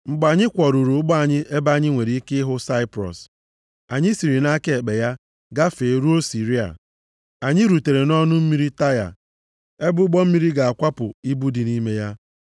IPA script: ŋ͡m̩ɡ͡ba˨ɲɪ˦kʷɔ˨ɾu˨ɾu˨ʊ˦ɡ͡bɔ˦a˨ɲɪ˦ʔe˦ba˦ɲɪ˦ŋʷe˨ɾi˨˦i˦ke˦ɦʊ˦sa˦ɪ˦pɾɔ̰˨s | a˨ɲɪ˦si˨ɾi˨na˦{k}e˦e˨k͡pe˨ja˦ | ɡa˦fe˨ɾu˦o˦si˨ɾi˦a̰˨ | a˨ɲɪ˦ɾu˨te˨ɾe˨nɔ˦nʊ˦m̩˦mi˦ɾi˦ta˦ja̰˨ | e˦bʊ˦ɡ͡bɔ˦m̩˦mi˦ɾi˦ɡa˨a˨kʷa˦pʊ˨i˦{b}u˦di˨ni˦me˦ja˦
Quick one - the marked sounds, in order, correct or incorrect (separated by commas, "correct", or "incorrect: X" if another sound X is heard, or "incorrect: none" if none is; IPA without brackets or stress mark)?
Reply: correct, correct